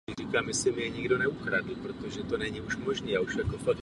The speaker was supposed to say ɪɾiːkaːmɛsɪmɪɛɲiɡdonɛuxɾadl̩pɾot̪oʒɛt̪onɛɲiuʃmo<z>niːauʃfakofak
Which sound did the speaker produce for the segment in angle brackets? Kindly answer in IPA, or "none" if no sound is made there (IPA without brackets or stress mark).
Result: ʒ